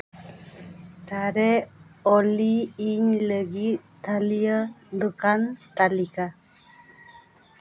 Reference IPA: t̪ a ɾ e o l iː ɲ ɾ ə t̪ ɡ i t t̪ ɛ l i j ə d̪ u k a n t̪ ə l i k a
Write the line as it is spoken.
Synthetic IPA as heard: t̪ a ɾ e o l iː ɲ l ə ɡ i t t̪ a l i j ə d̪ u k a n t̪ a l i k a